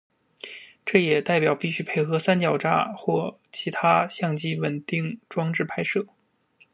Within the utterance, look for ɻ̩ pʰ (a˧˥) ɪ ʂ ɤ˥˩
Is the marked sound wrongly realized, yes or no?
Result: yes